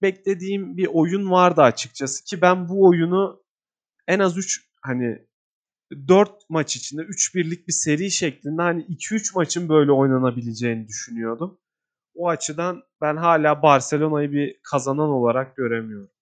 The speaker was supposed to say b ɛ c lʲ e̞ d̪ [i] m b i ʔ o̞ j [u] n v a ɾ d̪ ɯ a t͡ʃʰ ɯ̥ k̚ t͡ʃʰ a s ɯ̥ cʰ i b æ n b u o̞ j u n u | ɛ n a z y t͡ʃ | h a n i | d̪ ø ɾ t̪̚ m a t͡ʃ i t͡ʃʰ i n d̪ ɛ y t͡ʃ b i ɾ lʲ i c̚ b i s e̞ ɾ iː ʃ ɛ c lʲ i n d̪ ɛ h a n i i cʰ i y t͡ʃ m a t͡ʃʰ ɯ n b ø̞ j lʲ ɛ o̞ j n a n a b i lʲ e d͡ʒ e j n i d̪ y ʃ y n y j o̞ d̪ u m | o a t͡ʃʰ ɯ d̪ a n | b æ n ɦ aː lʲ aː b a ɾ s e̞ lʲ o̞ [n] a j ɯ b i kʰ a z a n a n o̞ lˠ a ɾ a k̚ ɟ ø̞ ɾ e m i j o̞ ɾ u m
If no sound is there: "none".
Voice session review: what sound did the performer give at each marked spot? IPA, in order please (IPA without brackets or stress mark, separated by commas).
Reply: iː, u, n